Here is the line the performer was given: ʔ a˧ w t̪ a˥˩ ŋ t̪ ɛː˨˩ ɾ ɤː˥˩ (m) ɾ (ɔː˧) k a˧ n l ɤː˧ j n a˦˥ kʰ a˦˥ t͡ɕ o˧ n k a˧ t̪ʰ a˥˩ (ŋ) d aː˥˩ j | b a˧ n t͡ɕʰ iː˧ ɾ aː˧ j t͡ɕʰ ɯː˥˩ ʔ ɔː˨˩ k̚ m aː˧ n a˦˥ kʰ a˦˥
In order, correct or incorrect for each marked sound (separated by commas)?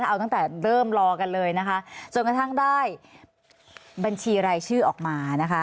correct, correct, correct